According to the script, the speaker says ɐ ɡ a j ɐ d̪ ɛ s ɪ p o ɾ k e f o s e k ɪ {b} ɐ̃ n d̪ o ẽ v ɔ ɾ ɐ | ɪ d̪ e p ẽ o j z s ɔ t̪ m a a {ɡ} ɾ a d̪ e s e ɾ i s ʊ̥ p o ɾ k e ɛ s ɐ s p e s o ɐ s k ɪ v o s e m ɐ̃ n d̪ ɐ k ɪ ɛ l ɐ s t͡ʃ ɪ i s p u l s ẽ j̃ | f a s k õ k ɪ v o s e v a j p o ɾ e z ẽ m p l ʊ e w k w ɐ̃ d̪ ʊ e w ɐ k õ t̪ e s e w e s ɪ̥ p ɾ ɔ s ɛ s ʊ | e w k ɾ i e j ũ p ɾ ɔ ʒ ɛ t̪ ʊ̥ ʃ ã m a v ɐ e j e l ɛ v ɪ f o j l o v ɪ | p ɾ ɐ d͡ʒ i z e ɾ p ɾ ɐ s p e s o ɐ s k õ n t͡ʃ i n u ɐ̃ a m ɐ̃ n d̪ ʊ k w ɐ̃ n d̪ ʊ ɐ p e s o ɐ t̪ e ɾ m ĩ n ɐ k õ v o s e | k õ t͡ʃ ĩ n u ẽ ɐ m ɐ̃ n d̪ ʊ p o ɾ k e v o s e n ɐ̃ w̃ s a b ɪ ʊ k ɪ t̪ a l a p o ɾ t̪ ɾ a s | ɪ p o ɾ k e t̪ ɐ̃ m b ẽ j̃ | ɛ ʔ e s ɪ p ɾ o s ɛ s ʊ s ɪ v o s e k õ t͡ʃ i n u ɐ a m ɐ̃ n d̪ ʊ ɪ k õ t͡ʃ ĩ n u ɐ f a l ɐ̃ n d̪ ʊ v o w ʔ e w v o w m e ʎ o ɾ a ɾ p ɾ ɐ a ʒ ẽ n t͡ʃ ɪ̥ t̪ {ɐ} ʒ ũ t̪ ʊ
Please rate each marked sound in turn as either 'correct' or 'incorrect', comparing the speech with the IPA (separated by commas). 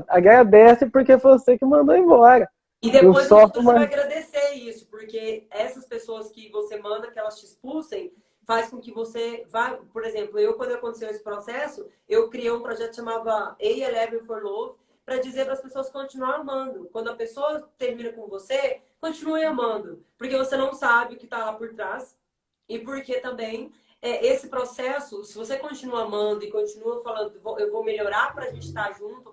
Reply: incorrect, correct, incorrect